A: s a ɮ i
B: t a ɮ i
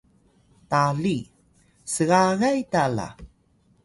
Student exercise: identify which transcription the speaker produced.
B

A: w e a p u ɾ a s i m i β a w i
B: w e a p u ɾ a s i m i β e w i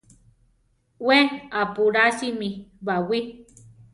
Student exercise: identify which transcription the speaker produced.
A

